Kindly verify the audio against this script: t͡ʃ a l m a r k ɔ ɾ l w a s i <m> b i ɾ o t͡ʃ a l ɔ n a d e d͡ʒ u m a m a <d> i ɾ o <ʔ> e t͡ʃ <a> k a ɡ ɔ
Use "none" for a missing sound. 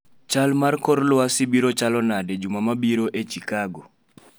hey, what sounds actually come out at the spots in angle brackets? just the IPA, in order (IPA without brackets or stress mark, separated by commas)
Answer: none, b, ʔ, i